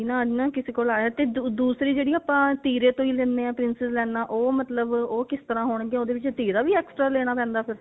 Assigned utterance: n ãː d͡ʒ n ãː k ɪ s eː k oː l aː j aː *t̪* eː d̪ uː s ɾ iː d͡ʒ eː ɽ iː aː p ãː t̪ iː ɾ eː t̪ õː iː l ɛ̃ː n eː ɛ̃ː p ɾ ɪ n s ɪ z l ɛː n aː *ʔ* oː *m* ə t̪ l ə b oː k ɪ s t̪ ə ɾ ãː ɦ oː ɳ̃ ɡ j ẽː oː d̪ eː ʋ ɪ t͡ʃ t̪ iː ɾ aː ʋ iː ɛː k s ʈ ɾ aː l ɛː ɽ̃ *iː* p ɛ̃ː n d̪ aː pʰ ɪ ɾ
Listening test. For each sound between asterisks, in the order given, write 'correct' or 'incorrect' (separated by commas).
correct, correct, correct, incorrect